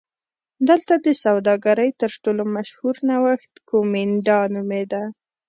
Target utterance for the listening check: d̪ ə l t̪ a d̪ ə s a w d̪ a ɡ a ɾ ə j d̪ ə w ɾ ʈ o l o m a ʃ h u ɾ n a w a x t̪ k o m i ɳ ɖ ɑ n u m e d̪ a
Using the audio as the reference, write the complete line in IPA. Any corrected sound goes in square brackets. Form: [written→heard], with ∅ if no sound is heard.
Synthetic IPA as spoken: d̪ ə l t̪ a d̪ ə s a w d̪ [a→ɑ] ɡ a ɾ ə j [d̪→t̪] ə [w→∅] ɾ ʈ o l o m a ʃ h u ɾ n a w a x t̪ k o m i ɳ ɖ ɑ n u m e d̪ a